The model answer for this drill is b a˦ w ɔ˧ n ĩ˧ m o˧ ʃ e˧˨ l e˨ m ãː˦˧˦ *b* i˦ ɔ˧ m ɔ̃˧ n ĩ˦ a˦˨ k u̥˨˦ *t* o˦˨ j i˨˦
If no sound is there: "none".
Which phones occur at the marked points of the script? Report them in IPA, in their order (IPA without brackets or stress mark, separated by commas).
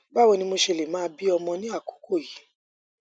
b, k